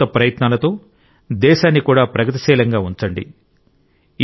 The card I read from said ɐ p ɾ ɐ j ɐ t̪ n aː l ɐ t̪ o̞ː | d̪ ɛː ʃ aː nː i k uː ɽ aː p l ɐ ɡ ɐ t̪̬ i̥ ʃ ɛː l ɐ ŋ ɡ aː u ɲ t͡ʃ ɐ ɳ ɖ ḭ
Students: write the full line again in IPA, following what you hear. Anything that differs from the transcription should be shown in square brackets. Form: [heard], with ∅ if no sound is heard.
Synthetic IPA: ɐ p ɾ ɐ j ɐ t̪ n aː l ɐ t̪ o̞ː | d̪ ɛː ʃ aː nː i k uː ɽ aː p [ɾ] ɐ ɡ ɐ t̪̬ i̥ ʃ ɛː l ɐ ŋ ɡ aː u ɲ t͡ʃ ɐ ɳ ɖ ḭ